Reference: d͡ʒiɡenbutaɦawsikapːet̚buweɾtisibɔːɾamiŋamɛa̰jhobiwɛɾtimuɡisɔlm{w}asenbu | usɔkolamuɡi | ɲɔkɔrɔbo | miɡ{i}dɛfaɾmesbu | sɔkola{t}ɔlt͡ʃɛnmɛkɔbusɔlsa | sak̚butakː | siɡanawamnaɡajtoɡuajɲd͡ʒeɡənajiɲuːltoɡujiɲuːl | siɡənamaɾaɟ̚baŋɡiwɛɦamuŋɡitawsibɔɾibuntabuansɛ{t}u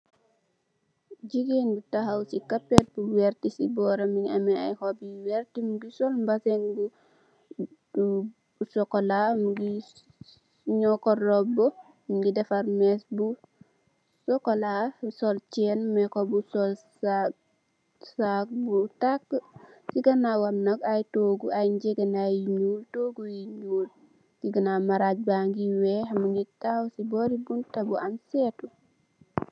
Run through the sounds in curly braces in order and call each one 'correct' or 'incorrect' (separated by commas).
incorrect, correct, incorrect, correct